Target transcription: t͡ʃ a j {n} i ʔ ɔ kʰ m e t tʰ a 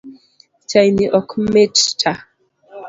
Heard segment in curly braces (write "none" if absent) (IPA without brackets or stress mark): n